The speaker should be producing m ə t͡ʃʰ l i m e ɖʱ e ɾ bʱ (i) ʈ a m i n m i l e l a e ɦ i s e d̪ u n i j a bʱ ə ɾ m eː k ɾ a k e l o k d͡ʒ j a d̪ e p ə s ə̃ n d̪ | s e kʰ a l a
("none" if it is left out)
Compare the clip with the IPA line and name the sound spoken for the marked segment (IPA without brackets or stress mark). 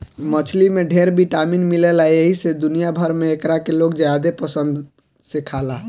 i